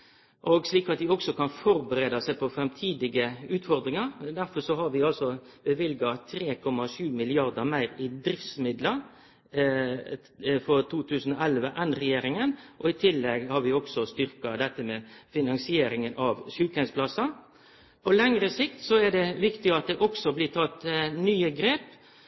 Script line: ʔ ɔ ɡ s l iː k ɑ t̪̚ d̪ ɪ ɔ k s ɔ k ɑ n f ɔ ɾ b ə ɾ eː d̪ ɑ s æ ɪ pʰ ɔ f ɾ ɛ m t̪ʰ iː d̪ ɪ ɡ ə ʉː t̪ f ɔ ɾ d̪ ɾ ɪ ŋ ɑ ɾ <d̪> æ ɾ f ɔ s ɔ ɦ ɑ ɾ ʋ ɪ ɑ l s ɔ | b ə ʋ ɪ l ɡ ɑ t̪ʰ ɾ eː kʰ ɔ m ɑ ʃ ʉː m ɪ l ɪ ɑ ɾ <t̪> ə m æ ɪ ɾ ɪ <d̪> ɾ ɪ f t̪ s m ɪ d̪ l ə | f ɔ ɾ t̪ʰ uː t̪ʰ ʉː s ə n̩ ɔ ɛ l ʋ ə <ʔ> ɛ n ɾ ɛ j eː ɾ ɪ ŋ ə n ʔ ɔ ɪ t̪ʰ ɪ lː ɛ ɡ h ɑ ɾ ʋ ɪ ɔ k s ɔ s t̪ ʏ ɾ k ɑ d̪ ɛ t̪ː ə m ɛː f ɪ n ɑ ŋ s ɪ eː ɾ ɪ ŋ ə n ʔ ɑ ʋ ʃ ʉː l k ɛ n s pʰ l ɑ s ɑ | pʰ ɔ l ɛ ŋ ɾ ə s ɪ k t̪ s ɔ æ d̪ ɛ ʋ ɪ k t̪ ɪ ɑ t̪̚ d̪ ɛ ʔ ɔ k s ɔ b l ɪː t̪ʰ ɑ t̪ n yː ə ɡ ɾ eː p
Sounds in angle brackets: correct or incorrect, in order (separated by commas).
correct, incorrect, correct, correct